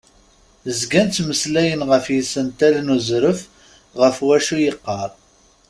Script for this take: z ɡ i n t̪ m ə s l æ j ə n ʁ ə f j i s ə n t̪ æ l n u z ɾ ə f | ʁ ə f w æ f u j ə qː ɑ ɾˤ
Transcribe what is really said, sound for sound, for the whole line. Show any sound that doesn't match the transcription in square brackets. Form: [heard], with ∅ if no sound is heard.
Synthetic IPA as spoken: z ɡ [æ] n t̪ m ə s l æ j ə n ʁ ə f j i s ə n t̪ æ l n u z ɾ ə f | ʁ ə f w æ [ʃ] u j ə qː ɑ ɾˤ